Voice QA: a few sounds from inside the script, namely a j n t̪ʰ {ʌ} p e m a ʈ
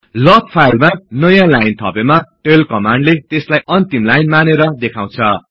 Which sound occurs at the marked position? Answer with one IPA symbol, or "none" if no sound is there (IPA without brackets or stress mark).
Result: ʌ